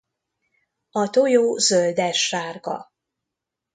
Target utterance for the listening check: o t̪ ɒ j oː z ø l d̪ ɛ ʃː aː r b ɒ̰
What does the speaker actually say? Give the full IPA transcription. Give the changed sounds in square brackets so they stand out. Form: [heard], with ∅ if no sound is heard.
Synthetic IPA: [ɒ] t̪ [o] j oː z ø l d̪ ɛ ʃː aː r [ɡ] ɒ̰